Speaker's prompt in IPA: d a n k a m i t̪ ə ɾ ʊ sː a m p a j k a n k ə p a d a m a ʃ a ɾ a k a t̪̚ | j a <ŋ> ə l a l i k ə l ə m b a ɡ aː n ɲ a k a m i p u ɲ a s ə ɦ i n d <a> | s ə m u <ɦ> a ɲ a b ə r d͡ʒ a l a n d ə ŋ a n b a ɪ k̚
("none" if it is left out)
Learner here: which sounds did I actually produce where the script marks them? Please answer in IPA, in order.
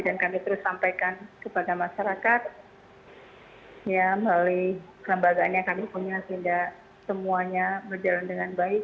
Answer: m, a, none

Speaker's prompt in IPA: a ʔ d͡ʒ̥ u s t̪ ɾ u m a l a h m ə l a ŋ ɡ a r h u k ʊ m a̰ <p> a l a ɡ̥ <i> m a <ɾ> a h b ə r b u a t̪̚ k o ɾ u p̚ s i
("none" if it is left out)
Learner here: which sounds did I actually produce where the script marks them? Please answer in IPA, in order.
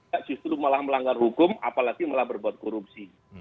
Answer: p, i, l

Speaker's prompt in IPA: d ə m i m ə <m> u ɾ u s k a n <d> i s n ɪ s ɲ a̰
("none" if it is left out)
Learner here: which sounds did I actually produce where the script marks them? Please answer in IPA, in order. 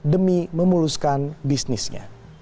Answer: m, b

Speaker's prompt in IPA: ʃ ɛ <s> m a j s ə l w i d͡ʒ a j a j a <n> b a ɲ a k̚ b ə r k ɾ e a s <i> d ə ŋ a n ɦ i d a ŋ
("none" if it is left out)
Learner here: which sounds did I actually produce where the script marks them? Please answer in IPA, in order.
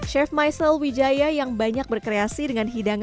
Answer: f, ŋ, i

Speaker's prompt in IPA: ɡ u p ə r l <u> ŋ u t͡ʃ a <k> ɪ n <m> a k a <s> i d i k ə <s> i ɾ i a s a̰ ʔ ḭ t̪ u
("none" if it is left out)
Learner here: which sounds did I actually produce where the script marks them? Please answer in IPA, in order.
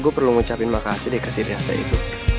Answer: u, p, m, s, s

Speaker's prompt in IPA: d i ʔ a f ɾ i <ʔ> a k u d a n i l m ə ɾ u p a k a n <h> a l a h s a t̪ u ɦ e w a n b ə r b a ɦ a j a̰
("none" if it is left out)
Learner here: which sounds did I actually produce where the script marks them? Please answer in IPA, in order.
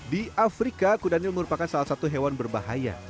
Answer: k, s

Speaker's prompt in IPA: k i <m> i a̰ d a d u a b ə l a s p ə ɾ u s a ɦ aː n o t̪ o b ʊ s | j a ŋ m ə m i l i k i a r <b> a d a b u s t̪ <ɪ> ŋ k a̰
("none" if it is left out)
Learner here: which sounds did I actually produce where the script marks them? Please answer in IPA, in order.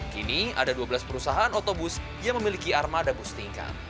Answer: n, m, i

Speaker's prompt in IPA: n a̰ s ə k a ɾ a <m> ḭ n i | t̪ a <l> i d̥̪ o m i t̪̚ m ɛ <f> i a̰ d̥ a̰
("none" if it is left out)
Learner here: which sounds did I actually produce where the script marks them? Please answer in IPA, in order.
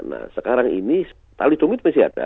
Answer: ŋ, l, s

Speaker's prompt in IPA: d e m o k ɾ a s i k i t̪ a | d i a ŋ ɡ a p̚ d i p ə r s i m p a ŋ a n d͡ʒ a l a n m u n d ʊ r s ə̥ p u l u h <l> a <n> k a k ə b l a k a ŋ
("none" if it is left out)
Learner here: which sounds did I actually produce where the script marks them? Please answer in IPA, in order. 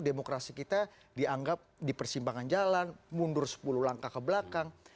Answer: l, ŋ

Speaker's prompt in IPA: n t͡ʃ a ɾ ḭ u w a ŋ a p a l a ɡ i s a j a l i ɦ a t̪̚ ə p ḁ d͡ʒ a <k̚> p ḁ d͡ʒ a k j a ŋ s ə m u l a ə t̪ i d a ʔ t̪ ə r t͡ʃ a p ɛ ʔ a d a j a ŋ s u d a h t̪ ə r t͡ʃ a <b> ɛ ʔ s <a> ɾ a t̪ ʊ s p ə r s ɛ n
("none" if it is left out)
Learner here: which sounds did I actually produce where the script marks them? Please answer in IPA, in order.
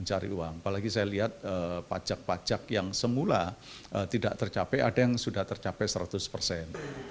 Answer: k̚, p, ə

